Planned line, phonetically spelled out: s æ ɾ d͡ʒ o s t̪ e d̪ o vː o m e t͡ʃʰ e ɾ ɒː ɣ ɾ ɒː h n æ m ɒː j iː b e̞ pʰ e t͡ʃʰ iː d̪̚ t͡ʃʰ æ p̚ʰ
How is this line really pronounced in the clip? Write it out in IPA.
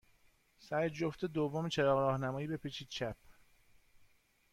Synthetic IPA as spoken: s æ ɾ d͡ʒ o f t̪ e d̪ o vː o m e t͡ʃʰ e ɾ ɒː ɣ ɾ ɒː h n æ m ɒː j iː b e̞ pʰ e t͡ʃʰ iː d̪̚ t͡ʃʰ æ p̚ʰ

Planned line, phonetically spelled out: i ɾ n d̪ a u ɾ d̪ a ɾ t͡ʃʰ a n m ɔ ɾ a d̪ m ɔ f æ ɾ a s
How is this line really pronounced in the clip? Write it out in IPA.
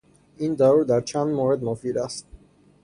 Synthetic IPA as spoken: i n d̪ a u ɾ d̪ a ɾ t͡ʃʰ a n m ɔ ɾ ɛ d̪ m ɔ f i ɾ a s

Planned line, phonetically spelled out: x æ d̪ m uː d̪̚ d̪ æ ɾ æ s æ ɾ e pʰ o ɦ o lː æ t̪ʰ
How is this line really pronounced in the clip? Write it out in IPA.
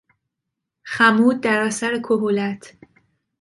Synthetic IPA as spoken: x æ m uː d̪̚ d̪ æ ɾ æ s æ ɾ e kʰ o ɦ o l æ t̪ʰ

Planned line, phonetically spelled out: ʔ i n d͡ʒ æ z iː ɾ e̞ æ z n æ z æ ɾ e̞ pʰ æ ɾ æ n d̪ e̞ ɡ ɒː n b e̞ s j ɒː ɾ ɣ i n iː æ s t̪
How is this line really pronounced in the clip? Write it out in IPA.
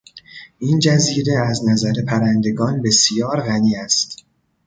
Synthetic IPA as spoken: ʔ i n d͡ʒ æ z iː ɾ e̞ æ z n æ z æ ɾ e̞ pʰ æ ɾ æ n d̪ e̞ ɡ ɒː n b e̞ s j ɒː ɾ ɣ æ n iː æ s t̪

